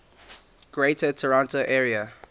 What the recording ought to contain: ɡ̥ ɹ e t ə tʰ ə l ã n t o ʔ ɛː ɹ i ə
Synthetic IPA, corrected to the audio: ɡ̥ ɹ e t ə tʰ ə ɹ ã n t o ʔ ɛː ɹ i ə